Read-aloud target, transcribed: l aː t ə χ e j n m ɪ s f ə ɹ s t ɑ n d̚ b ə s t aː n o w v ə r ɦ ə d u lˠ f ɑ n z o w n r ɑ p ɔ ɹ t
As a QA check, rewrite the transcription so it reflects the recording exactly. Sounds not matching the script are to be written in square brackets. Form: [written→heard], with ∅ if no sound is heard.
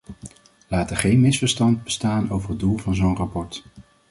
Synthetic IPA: l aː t ə χ e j n m ɪ s f ə ɹ s t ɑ n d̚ b ə s t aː n o w v ə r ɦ ə d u lˠ [f→v] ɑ n z o w n r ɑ p ɔ ɹ t

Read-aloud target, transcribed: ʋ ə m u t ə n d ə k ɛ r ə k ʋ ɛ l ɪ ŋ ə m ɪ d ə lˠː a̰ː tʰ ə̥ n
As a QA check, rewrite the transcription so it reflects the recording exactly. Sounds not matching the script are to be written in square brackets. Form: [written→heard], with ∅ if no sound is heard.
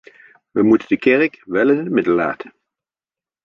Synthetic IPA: ʋ ə m u t ə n d ə k ɛ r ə k ʋ ɛ l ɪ [ŋ→n] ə m ɪ d ə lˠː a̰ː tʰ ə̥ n

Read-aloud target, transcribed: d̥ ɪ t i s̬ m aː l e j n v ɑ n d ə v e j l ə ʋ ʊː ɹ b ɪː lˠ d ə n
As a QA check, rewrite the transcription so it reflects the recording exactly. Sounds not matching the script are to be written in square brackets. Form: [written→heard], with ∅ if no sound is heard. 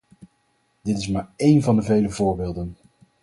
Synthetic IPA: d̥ ɪ t [i→ɪ] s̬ m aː [l→ɹ] e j n v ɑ n d ə v e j l ə [ʋ→v] ʊː ɹ b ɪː lˠ d ə n

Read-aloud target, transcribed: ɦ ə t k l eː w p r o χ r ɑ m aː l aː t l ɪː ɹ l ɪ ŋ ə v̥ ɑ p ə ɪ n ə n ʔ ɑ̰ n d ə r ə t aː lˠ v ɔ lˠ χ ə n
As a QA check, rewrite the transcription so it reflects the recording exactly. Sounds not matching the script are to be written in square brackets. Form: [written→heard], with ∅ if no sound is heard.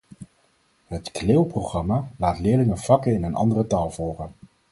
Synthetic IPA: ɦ ə t k l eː w p r o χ r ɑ m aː l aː t l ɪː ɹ l ɪ ŋ ə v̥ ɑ [p→k] ə ɪ n ə n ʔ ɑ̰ n d ə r ə t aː lˠ v ɔ lˠ χ ə n

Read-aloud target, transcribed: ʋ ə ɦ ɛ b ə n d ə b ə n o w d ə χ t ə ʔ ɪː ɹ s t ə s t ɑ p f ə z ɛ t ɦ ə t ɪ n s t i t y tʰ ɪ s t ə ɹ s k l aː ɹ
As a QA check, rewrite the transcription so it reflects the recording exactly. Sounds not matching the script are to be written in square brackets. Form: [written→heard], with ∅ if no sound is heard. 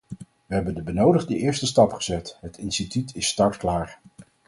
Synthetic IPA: ʋ ə ɦ ɛ b ə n d ə b ə n o w d ə χ [t→d] ə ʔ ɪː ɹ s t ə s t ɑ p [f→χ] ə z ɛ t ɦ ə t ɪ n s t i t y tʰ ɪ s t [ə→ɑ] ɹ [s→t] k l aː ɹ

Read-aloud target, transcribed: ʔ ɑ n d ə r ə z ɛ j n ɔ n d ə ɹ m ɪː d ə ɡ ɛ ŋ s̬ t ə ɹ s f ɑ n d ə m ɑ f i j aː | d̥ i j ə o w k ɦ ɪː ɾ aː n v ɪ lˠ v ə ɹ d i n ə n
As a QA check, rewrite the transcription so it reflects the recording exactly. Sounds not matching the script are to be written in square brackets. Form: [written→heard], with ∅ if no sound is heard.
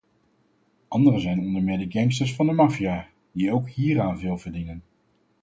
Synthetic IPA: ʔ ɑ n d ə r ə z ɛ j n ɔ n d ə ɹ m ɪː d ə ɡ ɛ ŋ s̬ t ə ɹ s f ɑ n d ə m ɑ f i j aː | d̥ i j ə o w k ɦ [ɪː→iː] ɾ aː n v ɪ lˠ v ə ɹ d i n ə n

